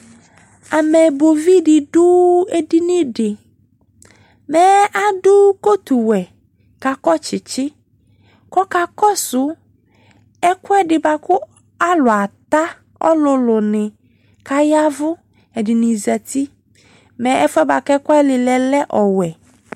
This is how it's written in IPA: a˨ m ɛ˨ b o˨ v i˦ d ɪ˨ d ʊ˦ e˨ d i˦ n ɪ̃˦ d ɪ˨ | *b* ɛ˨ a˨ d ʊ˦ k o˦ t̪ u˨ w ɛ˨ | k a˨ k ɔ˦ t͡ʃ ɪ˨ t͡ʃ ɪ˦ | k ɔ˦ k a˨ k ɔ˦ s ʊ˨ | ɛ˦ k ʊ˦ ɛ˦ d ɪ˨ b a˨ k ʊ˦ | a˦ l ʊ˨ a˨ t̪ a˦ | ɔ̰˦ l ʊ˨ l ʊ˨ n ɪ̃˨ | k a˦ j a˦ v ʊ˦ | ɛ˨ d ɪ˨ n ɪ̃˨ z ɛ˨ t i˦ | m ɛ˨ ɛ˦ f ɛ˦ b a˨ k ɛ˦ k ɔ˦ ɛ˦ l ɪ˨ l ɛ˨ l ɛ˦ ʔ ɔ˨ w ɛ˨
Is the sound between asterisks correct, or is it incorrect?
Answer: incorrect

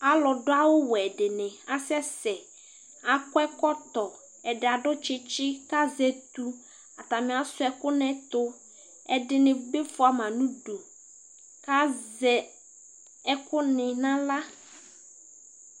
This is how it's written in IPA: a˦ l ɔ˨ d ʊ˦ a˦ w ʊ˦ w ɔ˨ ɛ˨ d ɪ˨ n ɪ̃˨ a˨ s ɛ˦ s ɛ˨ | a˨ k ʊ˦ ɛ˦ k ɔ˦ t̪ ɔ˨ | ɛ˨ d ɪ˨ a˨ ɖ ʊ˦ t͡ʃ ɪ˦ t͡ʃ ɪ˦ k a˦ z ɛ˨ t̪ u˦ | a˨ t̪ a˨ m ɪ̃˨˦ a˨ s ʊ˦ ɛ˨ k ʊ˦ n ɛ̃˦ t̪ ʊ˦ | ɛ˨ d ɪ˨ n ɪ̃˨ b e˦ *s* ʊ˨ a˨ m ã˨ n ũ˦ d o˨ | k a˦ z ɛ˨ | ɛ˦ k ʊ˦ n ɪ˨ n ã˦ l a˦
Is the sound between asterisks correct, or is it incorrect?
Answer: incorrect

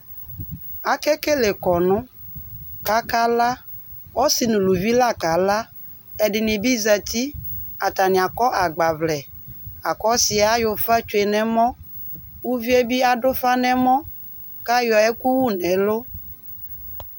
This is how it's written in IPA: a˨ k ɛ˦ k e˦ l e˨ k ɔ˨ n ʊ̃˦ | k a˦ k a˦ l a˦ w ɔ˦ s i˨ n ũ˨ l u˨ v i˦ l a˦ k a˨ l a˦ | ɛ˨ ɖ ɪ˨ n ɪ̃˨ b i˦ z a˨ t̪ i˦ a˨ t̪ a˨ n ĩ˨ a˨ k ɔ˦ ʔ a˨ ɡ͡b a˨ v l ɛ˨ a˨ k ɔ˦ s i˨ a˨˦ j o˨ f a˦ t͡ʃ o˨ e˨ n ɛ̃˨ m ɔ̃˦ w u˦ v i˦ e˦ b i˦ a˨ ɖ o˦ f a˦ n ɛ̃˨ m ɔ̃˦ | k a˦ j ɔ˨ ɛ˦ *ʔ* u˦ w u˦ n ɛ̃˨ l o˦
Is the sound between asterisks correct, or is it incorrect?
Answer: incorrect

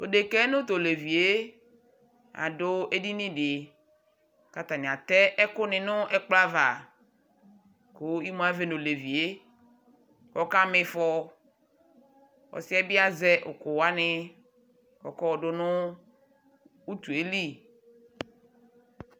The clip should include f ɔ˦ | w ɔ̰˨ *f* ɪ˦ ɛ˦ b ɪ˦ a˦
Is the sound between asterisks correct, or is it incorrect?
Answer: incorrect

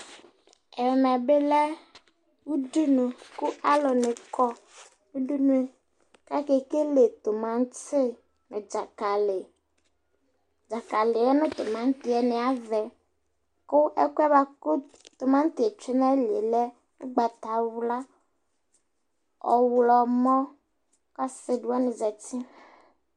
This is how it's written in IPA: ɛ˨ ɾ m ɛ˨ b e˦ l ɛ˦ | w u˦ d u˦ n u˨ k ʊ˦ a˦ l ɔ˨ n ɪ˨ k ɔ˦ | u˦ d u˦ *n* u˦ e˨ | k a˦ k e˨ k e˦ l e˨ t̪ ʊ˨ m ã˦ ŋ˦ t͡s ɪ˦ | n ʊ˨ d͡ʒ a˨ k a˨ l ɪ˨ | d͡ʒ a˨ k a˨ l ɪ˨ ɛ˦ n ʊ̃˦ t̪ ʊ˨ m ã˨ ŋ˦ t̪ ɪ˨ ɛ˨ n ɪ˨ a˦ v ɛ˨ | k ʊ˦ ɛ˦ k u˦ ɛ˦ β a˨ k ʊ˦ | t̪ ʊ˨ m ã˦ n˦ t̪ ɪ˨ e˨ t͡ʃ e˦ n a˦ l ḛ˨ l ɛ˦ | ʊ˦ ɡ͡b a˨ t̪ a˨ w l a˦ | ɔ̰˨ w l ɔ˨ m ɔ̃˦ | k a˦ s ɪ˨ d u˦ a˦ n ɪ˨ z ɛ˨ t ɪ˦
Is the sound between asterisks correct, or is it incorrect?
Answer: correct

